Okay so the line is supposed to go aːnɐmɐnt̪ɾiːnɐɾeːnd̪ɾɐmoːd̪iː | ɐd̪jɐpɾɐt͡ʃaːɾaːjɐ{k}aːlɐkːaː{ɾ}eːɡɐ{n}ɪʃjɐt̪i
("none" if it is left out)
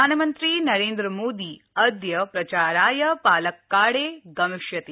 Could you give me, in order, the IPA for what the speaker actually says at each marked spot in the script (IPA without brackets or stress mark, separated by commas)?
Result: p, ɽ, m